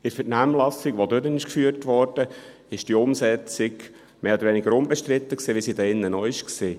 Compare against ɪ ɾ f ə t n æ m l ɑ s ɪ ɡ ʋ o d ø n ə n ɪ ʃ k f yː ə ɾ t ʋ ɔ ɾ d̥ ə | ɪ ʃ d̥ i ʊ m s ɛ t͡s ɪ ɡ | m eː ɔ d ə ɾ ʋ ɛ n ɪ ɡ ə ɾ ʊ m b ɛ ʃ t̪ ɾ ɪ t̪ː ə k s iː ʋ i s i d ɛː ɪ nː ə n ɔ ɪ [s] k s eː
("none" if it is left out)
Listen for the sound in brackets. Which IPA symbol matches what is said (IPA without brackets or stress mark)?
ʃ